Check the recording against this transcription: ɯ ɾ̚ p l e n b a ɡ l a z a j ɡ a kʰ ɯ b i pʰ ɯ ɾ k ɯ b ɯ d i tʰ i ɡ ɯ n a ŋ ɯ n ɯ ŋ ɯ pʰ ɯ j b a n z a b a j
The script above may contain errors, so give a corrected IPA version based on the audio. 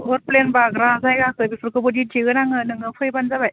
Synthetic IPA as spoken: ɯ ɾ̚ p l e n b a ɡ ɾ a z a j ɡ a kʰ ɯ b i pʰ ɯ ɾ k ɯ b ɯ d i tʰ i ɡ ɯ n a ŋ ɯ n ɯ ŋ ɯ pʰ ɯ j b a n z a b a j